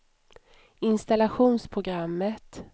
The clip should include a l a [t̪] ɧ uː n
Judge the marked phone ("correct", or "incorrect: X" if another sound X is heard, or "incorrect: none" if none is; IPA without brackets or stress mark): incorrect: none